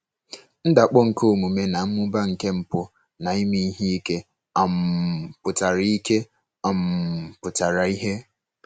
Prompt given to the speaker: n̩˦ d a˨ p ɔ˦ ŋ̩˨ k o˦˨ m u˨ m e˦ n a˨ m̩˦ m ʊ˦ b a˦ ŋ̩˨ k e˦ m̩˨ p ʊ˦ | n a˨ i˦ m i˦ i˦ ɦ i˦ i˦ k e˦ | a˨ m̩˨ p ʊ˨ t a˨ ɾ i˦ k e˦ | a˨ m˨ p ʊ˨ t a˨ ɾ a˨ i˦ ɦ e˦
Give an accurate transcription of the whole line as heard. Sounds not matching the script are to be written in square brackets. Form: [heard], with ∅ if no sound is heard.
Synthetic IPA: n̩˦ d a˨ [k͡p] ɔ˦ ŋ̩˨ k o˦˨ m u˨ m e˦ n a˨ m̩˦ m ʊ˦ b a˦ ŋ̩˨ k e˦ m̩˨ p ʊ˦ | n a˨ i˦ m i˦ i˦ ɦ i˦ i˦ k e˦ | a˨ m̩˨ p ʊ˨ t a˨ ɾ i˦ k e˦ | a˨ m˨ p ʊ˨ t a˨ ɾ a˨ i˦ ɦ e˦